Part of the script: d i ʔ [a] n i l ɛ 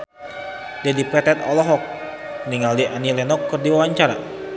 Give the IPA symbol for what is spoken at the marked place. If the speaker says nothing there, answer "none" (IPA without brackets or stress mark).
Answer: a